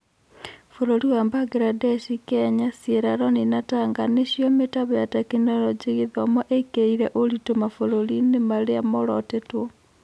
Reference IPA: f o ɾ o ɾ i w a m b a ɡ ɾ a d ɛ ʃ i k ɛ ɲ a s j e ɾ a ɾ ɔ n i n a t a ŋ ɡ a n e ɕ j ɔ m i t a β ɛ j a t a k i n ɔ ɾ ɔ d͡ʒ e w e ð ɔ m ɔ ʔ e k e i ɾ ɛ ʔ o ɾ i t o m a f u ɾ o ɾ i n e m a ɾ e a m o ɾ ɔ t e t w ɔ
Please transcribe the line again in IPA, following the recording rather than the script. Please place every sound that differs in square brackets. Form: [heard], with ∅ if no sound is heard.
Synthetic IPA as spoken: f o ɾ o ɾ i w a m b a ɡ ɾ a d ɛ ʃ i k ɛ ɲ a s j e ɾ a ɾ ɔ n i n a t a ŋ ɡ a n e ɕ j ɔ m [e] t a β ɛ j a t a k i n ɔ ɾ ɔ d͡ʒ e [ɣ] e ð ɔ m ɔ ʔ e k e i ɾ ɛ ʔ o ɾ i t o m a f [o] ɾ o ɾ i n e m a ɾ e a m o ɾ ɔ t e t w ɔ